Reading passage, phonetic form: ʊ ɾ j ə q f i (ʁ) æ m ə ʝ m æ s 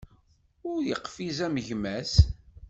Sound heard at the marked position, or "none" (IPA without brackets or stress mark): z